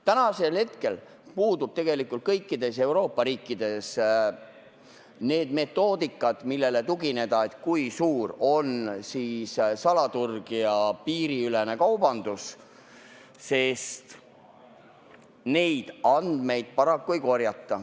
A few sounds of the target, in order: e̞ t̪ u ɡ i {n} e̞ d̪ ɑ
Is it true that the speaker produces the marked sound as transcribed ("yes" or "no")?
yes